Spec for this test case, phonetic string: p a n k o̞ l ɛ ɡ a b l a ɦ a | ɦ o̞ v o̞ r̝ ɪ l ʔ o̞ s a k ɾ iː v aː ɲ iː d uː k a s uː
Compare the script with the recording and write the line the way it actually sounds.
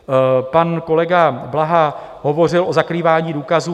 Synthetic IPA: p a n k o̞ l ɛ ɡ a b l a ɦ a | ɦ o̞ v o̞ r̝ ɪ l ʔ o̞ z a k ɾ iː v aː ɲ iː d uː k a z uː